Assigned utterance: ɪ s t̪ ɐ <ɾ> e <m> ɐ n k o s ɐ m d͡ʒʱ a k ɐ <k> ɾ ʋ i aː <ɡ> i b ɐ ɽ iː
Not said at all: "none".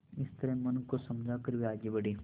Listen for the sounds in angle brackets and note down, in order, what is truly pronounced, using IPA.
ɾ, m, none, ɡ

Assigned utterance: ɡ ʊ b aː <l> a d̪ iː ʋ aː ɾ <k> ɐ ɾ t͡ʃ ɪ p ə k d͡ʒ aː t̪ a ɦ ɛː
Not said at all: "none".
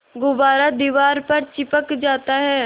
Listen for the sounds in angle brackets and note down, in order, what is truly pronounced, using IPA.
ɾ, p

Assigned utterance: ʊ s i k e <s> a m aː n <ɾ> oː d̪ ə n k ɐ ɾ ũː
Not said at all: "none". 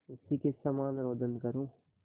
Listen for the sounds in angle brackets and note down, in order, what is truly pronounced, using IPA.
s, ɾ

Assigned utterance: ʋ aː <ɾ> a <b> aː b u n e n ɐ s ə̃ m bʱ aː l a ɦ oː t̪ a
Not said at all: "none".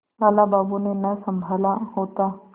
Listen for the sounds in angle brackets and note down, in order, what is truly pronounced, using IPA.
l, b

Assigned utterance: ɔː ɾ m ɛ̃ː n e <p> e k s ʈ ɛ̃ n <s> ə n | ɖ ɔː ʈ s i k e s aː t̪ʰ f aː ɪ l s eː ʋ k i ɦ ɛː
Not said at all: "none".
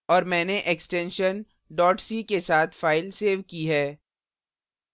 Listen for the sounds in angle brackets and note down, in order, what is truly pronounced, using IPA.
ʔ, ʃ

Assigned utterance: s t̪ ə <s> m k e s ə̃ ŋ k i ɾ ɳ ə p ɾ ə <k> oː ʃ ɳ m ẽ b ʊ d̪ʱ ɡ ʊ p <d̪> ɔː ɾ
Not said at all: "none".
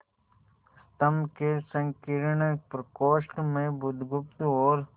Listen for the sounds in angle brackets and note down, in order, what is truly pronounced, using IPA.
none, k, t̪

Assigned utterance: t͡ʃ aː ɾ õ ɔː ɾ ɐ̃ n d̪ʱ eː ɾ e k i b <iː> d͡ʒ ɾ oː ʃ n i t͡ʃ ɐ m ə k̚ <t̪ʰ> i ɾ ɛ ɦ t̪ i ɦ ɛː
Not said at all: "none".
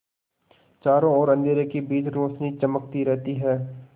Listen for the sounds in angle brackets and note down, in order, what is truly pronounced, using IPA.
iː, t̪

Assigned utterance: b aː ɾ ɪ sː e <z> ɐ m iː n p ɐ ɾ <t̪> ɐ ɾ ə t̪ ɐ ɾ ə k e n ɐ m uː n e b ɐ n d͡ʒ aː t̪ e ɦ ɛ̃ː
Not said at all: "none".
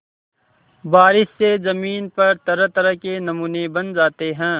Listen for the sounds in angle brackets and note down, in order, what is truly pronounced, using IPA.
z, t̪

